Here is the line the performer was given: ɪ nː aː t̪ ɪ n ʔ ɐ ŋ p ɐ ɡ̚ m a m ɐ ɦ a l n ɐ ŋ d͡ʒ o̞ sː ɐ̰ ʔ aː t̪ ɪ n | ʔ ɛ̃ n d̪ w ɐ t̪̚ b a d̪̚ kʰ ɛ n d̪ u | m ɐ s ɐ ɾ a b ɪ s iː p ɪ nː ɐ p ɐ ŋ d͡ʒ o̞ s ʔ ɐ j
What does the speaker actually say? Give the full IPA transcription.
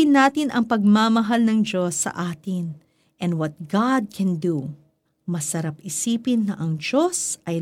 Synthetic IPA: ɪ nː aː t̪ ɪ n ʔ ɐ ŋ p ɐ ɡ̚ m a m ɐ ɦ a l n ɐ ŋ d͡ʒ o̞ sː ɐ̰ ʔ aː t̪ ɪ n | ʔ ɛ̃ n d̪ w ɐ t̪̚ ɡ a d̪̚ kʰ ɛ n d̪ u | m ɐ s ɐ ɾ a p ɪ s iː p ɪ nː ɐ ʔ ɐ ŋ d͡ʒ o̞ s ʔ ɐ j